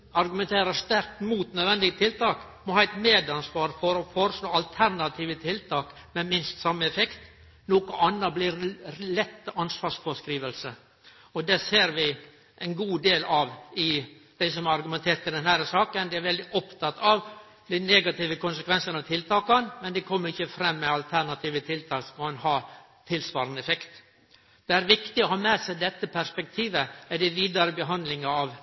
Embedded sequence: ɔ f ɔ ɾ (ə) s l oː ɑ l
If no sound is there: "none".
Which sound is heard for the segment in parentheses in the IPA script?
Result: ə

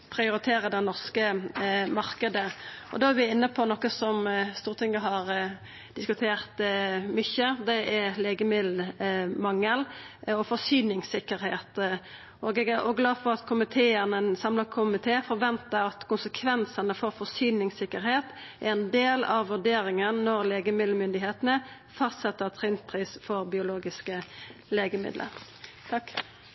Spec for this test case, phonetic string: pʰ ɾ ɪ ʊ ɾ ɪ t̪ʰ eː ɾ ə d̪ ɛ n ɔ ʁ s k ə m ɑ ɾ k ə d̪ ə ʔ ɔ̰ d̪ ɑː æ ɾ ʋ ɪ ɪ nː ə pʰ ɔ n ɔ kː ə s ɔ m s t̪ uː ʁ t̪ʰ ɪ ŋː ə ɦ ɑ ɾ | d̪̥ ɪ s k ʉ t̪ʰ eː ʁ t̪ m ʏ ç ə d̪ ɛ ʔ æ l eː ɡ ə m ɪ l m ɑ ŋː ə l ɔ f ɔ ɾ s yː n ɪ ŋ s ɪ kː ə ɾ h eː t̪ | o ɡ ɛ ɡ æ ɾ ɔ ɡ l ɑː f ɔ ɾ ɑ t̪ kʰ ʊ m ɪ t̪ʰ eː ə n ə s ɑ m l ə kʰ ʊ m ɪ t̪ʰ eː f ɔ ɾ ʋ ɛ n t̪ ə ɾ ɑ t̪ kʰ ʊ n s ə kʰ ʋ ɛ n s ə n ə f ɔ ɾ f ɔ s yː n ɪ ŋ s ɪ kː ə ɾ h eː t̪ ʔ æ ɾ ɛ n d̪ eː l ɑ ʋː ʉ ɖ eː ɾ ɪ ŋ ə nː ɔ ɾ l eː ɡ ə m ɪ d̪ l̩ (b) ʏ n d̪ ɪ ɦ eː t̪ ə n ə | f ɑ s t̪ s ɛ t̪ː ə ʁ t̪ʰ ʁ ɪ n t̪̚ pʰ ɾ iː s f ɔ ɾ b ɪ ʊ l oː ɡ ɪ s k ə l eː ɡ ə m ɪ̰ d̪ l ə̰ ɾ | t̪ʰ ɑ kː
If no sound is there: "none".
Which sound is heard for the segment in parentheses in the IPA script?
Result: m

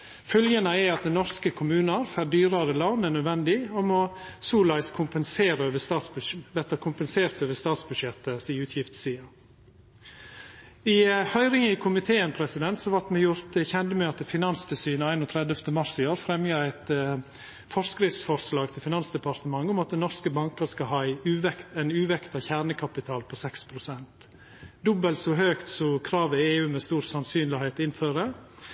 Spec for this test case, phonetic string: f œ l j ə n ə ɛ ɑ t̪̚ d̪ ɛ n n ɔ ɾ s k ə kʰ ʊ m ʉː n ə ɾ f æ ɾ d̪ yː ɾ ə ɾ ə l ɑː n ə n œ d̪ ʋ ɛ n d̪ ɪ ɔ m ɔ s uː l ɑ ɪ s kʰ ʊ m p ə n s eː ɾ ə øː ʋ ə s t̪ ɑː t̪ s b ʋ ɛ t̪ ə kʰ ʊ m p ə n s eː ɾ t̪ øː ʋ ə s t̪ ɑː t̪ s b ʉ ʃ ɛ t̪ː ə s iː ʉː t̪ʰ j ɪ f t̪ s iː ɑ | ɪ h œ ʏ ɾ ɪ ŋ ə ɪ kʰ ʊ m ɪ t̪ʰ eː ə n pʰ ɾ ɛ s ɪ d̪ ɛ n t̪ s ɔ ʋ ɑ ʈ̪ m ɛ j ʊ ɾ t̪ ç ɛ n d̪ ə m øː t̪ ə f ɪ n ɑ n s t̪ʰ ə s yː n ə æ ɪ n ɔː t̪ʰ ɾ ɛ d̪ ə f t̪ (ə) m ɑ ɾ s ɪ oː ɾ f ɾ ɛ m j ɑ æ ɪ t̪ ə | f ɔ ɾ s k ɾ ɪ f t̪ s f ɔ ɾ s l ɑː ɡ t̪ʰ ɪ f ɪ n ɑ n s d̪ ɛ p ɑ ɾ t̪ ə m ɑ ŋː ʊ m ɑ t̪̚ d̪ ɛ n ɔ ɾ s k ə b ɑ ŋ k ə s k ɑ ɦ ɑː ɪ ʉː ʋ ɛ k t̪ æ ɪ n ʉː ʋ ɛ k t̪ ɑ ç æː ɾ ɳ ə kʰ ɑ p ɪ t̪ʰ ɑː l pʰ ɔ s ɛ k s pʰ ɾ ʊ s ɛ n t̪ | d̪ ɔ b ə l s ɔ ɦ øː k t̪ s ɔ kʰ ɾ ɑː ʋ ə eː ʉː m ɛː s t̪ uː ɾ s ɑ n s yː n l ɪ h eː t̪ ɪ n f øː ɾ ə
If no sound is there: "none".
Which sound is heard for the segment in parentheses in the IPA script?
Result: ə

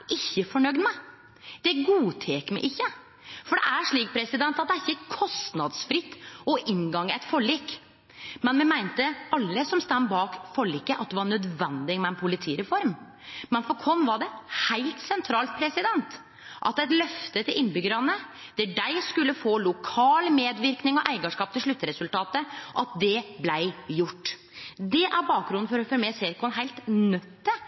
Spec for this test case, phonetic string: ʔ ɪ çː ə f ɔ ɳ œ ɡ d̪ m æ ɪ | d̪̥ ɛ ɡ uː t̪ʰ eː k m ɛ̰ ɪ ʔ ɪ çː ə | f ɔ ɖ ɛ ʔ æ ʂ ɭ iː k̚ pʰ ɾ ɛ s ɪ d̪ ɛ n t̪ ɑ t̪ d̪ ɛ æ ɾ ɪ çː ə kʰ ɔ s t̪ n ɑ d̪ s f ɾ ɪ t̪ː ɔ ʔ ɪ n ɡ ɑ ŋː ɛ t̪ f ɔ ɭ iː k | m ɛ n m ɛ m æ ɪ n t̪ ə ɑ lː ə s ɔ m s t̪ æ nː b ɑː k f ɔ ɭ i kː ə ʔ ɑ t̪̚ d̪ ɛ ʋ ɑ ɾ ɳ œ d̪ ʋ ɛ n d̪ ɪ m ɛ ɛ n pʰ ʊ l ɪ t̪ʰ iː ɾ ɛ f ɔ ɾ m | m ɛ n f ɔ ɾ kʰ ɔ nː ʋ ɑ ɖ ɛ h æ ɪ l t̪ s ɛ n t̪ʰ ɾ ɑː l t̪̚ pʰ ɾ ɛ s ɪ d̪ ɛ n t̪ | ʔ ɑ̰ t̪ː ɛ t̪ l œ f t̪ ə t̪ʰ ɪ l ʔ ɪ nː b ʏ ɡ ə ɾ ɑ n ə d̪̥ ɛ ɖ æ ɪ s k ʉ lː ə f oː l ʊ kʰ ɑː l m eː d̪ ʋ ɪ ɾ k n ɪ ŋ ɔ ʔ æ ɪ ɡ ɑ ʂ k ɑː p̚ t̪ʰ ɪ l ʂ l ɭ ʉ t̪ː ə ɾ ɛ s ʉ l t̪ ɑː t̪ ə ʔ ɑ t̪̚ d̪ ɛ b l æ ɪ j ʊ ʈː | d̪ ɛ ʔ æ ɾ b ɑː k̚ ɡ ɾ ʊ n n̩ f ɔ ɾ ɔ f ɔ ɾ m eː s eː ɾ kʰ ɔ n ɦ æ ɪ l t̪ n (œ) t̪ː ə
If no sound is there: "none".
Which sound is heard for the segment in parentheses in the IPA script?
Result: œ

